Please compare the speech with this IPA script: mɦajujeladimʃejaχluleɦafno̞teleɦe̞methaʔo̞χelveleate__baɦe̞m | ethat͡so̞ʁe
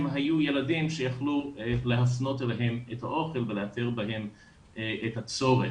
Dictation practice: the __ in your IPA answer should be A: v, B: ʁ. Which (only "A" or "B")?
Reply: B